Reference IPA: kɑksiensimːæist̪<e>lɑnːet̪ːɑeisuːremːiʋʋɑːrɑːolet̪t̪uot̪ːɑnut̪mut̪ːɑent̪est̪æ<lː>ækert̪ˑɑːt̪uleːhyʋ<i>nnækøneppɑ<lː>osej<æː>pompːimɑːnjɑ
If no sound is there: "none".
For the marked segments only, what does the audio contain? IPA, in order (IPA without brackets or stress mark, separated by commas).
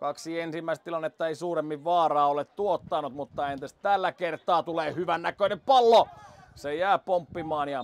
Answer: i, lː, æ, lː, æː